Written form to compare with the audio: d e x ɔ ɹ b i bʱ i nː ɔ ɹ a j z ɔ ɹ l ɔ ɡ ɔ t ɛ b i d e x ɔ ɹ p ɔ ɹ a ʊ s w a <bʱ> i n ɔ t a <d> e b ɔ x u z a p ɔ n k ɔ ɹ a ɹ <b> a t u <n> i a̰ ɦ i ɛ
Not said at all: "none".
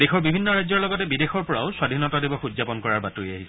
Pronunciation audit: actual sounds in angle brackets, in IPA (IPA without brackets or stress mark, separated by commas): dʱ, d, b, none